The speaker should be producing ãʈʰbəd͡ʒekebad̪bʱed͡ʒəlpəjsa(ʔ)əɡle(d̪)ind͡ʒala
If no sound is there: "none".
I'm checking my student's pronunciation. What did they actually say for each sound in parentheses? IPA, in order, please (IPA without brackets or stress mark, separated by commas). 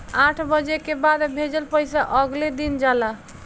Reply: ʔ, d̪